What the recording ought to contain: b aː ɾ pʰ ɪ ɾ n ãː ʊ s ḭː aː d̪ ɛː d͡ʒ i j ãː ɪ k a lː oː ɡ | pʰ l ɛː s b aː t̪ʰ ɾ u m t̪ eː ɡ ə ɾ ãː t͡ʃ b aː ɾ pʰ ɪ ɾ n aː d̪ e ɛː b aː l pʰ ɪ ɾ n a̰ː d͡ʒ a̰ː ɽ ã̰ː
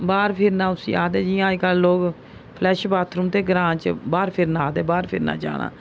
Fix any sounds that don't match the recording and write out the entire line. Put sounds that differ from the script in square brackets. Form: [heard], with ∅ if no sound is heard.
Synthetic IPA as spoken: b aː ɾ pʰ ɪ ɾ n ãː ʊ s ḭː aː d̪ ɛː d͡ʒ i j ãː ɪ k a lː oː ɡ | pʰ l ɛː [ʃ] b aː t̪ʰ ɾ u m t̪ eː ɡ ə ɾ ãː t͡ʃ b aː ɾ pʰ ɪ ɾ n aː d̪ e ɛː b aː [ɾ] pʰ ɪ ɾ n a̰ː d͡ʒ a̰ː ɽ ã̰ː